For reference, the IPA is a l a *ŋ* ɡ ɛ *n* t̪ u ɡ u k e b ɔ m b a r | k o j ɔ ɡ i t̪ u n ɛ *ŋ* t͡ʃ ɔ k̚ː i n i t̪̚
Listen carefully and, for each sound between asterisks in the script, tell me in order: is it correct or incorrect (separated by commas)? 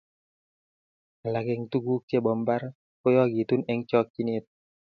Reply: incorrect, incorrect, correct